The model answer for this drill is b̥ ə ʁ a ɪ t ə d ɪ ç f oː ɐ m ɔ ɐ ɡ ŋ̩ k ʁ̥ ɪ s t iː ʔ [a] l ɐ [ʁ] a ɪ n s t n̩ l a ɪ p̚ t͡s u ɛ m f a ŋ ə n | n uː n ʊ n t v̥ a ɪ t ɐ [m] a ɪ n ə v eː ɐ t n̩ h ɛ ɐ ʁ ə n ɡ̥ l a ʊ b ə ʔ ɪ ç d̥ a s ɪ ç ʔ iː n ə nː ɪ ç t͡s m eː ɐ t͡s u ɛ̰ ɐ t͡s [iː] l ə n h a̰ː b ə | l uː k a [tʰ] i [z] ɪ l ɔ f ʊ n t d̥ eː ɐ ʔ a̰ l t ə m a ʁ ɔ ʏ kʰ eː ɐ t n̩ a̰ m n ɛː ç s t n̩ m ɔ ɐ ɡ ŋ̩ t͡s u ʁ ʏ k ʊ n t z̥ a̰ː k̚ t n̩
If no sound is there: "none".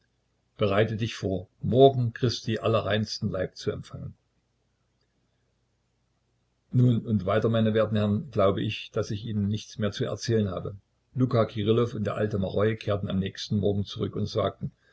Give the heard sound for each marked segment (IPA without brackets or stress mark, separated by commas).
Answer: a, ʁ, m, ɛː, kʰ, ʁ